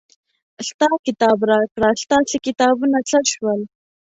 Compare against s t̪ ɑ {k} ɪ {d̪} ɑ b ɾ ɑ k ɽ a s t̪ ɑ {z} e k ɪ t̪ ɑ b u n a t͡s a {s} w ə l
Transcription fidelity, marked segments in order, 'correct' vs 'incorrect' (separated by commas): correct, incorrect, incorrect, incorrect